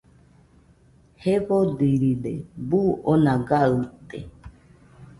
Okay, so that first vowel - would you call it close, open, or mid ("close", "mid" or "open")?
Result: mid